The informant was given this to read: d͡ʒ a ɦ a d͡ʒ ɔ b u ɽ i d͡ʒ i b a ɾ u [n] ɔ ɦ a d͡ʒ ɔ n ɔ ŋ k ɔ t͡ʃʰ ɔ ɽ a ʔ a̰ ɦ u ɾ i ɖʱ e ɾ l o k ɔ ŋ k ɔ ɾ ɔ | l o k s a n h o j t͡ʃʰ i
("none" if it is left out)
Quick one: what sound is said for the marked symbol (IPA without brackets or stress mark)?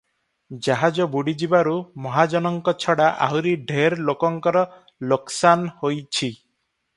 m